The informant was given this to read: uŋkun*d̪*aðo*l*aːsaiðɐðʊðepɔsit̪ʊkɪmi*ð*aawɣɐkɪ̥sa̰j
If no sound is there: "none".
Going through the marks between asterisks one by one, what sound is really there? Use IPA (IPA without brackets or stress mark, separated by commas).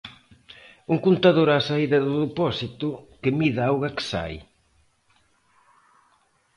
t̪, ɾ, ð